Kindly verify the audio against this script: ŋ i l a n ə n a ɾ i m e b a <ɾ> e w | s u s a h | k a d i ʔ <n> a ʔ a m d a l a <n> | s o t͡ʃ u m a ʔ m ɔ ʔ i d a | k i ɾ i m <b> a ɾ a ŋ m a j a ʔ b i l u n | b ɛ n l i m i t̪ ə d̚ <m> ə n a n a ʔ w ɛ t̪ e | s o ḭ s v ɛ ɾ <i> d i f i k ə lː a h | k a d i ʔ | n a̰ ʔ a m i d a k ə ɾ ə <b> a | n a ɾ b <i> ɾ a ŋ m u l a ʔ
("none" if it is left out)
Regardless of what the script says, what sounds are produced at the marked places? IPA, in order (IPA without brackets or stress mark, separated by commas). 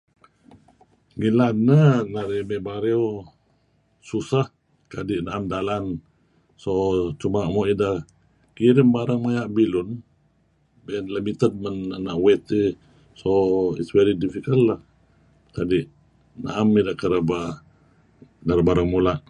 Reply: ɾ, n, n, b, m, i, b, a